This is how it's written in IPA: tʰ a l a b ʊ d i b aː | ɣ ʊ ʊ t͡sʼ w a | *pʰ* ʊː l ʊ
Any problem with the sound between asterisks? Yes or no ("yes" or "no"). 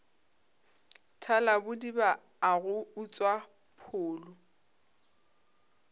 no